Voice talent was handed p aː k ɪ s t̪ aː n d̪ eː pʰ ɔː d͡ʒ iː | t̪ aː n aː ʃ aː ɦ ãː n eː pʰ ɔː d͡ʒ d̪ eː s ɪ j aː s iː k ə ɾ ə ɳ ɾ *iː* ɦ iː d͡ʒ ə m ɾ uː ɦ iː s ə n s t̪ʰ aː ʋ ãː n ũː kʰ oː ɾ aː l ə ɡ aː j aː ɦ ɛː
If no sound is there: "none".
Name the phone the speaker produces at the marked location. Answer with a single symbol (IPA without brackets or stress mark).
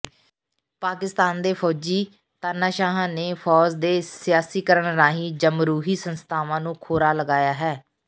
aː